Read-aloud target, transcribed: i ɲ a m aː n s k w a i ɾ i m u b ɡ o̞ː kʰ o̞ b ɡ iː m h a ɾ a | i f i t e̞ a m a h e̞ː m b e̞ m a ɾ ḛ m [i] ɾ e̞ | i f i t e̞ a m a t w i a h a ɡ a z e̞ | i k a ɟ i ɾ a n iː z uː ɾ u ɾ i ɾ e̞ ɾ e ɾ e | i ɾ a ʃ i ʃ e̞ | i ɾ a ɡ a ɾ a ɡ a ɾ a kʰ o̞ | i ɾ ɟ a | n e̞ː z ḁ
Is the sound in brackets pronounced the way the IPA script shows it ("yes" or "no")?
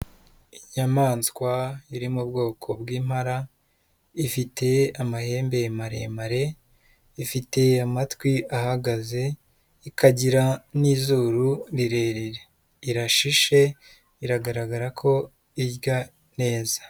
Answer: no